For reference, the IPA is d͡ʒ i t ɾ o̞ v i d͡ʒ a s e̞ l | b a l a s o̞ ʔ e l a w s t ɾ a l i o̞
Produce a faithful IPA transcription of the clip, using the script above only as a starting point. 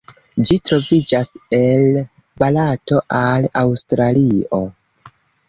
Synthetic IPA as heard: d͡ʒ i t ɾ o̞ v i d͡ʒ a s e̞ l | b a l a t o̞ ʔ a l a w s t ɾ a l i o̞